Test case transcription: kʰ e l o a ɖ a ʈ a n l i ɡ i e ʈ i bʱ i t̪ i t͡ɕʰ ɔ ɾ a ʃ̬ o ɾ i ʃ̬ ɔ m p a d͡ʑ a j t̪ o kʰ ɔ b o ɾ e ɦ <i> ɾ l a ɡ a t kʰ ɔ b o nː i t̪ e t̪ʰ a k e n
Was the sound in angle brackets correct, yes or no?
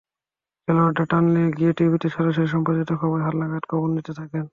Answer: no